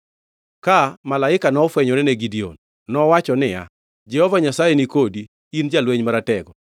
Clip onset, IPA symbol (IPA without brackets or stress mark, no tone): k